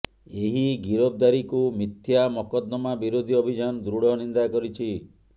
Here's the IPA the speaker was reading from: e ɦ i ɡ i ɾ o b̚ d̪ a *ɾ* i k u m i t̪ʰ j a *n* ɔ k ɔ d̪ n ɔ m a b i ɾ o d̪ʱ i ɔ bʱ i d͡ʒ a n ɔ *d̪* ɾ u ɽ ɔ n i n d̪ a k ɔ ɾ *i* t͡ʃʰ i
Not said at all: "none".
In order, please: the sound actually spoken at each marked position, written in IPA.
ɾ, m, d̪, i

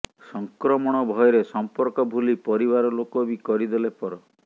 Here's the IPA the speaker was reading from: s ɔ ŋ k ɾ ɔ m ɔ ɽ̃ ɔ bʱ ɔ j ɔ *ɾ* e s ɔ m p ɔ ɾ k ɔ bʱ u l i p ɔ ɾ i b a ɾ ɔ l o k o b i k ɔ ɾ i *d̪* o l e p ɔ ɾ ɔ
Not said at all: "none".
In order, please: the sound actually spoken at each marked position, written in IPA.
ɾ, d̪

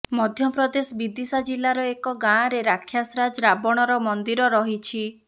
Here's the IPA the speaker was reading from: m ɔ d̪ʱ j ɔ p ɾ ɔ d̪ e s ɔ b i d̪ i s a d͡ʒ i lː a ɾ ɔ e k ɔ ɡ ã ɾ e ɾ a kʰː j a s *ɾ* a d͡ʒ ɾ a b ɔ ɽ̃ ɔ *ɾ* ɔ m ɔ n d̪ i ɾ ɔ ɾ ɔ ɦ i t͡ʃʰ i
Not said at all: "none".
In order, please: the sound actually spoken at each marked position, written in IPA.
ɾ, ɾ

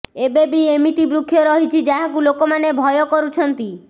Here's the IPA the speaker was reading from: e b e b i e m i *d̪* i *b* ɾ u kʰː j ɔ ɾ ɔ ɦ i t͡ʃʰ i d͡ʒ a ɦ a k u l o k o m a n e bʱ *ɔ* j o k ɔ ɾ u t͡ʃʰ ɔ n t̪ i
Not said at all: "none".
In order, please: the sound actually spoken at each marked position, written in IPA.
t̪, b, ɔ

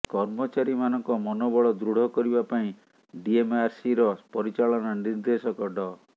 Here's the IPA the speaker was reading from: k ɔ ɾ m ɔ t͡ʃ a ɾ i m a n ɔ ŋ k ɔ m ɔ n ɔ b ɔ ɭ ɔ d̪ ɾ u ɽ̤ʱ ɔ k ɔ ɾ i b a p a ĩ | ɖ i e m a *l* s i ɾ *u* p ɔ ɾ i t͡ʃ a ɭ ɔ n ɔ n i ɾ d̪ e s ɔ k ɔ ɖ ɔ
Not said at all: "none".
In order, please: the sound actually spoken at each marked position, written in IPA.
ɾ, ɔ

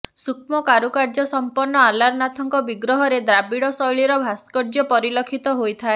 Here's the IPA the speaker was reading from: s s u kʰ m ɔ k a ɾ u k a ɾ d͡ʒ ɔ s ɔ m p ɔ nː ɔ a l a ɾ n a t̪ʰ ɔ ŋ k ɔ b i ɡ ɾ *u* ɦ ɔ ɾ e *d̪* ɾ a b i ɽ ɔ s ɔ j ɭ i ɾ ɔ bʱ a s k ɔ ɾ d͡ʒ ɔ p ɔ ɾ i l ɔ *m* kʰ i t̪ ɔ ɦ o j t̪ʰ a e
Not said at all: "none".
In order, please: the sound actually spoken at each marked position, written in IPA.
ɔ, d̪, none

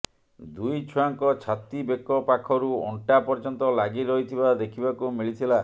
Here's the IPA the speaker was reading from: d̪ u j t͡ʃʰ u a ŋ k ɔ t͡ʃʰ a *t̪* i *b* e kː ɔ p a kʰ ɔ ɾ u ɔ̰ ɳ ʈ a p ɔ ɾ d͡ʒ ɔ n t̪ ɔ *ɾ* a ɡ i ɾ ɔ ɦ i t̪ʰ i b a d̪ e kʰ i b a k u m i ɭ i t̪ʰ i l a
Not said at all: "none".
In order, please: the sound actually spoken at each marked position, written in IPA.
t̪, b, l

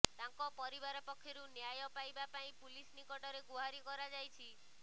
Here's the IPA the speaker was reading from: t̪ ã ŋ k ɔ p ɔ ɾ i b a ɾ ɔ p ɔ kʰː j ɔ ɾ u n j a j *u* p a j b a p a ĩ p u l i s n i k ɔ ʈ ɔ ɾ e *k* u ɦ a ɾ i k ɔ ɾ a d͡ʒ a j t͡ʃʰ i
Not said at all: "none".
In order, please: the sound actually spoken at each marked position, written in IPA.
ɔ, ɡ

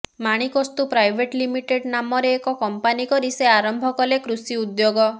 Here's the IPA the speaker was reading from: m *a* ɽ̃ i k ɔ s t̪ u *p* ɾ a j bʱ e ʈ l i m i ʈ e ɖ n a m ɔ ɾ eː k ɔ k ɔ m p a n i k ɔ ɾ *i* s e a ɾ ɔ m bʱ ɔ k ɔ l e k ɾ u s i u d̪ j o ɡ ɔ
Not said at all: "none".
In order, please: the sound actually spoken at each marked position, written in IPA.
a, p, i

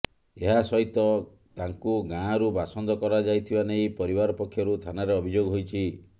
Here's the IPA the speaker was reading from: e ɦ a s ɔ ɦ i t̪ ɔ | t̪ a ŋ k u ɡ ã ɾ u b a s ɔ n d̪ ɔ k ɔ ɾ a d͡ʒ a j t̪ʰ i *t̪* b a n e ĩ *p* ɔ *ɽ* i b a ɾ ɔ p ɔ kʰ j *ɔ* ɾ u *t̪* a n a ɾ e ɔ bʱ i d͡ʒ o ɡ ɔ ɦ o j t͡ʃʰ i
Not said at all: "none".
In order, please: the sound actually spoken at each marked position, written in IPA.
none, p, ɾ, ɔ, t̪ʰ

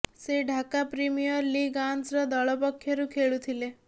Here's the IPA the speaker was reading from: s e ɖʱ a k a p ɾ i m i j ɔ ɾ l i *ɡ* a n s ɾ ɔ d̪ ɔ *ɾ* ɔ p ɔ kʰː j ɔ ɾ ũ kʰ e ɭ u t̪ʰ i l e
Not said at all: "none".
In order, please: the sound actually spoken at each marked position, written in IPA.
ɡ, ɭ

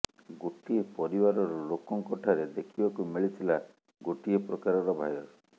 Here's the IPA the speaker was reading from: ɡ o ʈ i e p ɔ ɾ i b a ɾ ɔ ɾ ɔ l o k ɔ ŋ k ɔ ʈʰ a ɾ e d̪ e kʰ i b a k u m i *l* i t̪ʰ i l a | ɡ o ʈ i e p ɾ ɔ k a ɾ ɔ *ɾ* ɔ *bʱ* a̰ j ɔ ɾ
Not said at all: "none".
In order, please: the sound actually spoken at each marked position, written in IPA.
ɭ, ɾ, bʱ

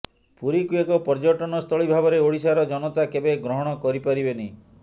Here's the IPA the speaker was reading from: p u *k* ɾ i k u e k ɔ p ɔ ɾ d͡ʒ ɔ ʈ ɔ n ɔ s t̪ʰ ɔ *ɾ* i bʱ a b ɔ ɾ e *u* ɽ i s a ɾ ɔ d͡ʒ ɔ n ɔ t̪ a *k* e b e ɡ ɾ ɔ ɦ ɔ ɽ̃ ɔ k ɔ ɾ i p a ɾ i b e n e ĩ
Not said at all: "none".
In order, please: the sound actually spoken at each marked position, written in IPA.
none, ɭ, o, k

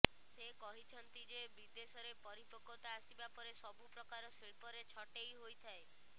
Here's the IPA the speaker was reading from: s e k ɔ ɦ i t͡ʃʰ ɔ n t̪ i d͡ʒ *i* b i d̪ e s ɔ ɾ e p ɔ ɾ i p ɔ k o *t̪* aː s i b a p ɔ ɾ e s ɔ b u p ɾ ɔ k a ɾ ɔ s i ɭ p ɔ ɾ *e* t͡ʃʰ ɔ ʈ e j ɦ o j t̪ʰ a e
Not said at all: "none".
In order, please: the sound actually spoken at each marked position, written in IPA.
e, t̪, e

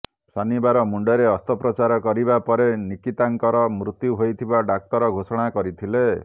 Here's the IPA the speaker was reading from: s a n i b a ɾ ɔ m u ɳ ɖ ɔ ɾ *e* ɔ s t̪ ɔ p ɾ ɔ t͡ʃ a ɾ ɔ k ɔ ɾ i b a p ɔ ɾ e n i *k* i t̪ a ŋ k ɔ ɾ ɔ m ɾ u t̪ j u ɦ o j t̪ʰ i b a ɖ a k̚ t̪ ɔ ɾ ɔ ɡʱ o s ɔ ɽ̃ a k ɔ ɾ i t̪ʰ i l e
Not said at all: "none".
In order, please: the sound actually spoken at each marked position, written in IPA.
e, k

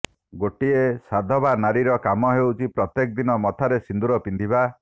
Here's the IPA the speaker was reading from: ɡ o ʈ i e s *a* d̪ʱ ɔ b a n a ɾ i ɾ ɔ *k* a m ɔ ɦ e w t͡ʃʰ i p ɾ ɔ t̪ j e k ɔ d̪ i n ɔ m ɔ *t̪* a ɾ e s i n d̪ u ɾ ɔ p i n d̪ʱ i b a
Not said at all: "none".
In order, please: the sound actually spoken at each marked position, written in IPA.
a, k, t̪ʰ

